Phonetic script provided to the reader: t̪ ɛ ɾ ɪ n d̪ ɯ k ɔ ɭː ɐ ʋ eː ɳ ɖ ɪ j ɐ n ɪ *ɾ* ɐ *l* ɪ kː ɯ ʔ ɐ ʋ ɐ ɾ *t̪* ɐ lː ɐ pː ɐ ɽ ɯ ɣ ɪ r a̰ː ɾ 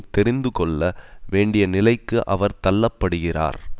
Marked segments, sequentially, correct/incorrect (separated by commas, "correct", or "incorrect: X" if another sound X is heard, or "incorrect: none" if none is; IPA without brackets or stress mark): incorrect: l, incorrect: none, correct